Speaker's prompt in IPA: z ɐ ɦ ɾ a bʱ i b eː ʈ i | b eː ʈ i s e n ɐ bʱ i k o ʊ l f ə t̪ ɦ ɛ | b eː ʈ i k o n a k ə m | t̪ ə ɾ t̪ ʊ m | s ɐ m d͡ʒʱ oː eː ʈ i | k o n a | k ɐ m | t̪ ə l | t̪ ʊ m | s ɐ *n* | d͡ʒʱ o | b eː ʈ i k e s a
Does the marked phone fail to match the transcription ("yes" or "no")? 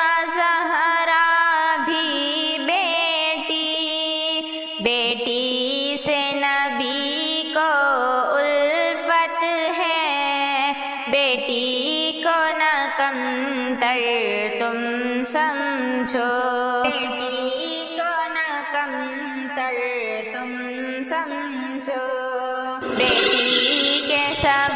yes